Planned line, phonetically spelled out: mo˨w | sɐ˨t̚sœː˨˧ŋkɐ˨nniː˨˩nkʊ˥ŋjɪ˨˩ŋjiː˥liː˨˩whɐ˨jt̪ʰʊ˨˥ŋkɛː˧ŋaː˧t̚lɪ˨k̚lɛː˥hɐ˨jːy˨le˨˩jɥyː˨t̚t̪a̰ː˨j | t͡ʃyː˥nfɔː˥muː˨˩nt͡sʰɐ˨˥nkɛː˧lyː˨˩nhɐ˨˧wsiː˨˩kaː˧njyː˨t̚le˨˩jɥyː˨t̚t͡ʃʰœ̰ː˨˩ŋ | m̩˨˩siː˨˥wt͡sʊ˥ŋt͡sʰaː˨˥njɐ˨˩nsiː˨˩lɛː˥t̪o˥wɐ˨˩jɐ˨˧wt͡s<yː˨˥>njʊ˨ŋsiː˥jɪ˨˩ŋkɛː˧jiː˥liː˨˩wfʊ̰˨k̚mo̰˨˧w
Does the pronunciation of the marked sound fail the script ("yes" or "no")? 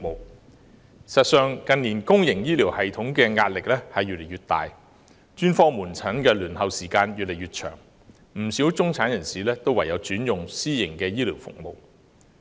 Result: no